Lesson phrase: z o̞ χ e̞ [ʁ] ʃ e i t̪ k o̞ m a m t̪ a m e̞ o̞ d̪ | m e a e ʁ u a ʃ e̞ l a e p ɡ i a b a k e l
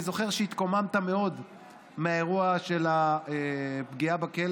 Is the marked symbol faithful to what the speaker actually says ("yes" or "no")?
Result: yes